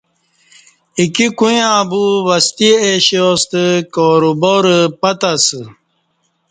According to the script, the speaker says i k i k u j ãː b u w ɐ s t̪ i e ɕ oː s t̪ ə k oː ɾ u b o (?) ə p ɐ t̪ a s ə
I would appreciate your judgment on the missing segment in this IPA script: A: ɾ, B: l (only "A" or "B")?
A